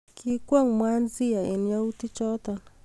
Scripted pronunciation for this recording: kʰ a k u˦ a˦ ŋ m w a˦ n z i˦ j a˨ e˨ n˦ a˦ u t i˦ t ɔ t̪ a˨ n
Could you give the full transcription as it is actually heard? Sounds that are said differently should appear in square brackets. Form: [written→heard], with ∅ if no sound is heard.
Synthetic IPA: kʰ [a→i] k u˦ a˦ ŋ m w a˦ n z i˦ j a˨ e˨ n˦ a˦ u t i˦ [t→t͡ʃ] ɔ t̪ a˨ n